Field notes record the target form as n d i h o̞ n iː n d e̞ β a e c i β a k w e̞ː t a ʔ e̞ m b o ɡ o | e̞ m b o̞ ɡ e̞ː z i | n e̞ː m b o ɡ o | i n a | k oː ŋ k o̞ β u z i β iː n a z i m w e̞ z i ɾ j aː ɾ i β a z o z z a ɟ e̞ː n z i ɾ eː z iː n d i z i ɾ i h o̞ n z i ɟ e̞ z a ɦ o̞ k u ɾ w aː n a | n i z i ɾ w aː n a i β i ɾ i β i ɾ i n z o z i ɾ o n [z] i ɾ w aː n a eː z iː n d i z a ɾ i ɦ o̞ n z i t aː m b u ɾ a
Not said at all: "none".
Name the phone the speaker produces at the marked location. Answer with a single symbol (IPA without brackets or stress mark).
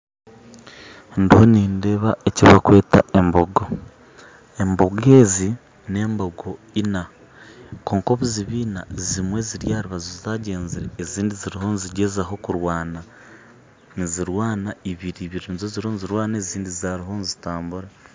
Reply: z